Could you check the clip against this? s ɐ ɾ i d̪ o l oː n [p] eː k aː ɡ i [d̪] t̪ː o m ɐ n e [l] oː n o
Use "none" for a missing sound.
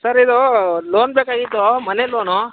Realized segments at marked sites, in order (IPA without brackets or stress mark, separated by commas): b, none, l